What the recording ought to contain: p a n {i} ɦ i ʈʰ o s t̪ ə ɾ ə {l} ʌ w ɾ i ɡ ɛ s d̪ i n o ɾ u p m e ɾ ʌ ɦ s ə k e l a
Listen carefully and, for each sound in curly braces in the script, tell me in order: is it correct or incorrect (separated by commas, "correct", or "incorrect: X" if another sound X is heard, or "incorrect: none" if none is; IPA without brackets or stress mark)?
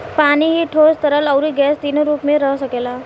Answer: correct, correct